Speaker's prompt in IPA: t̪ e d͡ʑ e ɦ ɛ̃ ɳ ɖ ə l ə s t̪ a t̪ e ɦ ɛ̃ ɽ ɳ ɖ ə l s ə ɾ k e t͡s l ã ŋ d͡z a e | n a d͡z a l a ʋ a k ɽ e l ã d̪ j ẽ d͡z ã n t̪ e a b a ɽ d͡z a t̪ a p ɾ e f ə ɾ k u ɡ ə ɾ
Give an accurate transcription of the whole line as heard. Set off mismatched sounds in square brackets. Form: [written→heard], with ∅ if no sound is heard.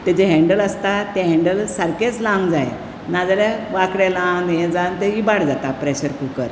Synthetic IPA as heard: t̪ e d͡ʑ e ɦ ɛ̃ ɳ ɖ ə l ə s t̪ a t̪ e ɦ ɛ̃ [ɽ→∅] ɳ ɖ ə l s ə ɾ k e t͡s l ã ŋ d͡z a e | n a d͡z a l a ʋ a k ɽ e l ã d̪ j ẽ d͡z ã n t̪ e [a→i] b a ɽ d͡z a t̪ a p ɾ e [f→ɕ] ə ɾ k u [ɡ→k] ə ɾ